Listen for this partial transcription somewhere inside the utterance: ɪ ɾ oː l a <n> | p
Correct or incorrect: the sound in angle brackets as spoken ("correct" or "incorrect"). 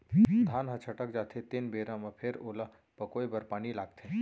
incorrect